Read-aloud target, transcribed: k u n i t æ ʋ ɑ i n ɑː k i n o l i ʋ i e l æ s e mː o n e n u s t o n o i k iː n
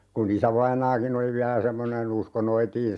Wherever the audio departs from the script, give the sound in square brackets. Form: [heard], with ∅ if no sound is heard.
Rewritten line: k u n i [s] æ ʋ ɑ i n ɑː k i n o l i ʋ i [æ] l æ s e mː o n e n u s [k] o n o i [t] iː n